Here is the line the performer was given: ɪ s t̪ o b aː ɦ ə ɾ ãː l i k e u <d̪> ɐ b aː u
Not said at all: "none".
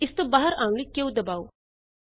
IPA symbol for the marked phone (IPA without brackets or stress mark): d̪